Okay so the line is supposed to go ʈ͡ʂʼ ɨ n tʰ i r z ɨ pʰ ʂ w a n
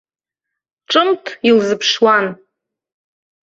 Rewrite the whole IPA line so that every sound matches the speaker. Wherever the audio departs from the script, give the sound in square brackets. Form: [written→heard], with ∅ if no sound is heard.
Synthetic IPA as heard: ʈ͡ʂʼ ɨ [n→m] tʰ i [r→l] z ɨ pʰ ʂ w a n